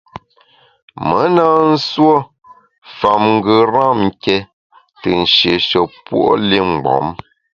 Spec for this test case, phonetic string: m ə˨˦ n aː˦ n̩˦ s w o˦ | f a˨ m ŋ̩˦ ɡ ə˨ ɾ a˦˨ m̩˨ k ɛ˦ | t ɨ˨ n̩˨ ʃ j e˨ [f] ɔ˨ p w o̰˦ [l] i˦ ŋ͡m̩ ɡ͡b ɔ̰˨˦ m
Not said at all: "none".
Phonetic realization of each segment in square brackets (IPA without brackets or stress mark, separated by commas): ʃ, l